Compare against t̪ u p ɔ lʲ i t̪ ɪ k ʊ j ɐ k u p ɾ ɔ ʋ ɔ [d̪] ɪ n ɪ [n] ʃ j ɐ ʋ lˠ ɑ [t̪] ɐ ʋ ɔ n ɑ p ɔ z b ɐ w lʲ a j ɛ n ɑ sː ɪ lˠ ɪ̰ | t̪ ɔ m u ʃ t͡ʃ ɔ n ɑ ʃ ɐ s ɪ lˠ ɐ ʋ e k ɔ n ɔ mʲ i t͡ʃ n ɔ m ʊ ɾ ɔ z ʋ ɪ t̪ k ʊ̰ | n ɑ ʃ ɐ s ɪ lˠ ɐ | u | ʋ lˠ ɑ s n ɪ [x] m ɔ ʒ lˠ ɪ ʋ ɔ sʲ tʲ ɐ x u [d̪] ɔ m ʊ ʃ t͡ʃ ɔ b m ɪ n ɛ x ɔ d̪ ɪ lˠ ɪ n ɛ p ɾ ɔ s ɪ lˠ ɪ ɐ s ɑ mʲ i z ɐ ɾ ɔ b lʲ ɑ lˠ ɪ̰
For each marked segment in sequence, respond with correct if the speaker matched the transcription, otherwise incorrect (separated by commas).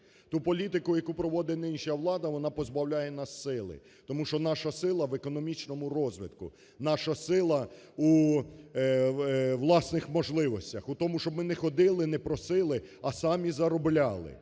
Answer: correct, correct, incorrect, correct, incorrect